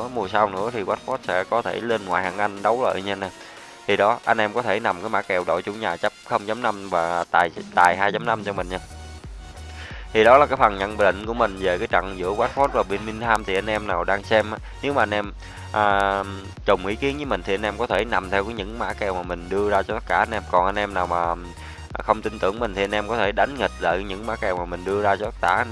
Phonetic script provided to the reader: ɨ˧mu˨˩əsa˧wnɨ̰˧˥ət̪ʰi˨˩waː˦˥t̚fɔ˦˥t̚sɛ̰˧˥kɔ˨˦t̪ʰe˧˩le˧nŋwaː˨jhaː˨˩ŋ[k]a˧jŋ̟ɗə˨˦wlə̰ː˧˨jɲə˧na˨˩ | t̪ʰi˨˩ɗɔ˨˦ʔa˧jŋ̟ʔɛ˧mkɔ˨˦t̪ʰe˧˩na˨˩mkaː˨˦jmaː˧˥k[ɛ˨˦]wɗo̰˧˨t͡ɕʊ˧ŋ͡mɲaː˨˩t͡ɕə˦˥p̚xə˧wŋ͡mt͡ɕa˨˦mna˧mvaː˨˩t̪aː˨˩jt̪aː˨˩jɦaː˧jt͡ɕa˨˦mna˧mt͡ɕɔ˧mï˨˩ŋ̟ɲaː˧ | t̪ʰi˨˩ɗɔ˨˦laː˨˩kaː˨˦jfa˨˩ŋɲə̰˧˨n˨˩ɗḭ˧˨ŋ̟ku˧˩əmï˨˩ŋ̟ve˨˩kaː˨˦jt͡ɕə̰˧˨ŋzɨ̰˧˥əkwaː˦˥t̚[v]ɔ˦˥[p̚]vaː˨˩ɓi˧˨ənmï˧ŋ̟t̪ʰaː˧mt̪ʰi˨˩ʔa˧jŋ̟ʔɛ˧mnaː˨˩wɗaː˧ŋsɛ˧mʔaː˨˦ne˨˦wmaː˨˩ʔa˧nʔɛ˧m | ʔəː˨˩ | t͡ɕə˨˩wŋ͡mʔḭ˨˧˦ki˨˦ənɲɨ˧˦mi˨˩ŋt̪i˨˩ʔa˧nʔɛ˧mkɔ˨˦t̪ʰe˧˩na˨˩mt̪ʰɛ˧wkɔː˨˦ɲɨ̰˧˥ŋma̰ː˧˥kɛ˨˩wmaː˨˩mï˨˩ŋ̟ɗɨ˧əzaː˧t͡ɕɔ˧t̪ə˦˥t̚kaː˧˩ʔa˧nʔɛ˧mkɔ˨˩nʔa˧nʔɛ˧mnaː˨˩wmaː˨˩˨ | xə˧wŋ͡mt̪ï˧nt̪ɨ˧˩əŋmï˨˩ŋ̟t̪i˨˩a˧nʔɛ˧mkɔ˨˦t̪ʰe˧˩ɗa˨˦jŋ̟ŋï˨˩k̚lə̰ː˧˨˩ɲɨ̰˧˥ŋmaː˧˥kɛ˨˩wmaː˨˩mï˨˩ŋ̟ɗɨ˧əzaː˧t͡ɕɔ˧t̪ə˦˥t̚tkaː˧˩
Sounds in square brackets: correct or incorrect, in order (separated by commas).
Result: incorrect, incorrect, incorrect, incorrect